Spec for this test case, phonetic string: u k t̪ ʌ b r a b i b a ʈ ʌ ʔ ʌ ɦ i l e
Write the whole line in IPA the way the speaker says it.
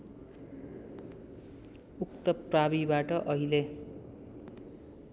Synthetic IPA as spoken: u k t̪ ʌ p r a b i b a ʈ ʌ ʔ ʌ ɦ i l e